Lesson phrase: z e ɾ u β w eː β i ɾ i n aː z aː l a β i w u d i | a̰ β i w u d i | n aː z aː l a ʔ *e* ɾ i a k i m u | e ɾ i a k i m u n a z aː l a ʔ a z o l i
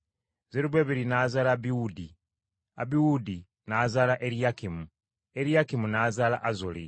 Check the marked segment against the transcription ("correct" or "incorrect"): correct